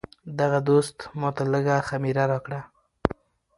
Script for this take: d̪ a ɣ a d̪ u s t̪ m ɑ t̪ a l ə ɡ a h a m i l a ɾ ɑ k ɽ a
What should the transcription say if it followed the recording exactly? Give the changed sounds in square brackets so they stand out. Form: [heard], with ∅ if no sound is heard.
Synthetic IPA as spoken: d̪ a ɣ a d̪ [o] s t̪ m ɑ t̪ a l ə ɡ a [x] a m i [ɾ] a ɾ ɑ k ɽ a